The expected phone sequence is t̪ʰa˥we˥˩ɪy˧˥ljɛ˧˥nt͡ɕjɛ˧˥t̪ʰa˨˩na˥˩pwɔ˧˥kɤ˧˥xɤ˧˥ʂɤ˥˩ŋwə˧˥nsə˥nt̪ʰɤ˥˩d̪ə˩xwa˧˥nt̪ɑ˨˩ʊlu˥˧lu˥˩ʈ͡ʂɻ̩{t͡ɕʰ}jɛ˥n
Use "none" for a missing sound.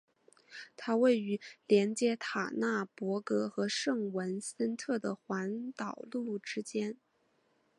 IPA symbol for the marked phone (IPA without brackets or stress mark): t͡ɕ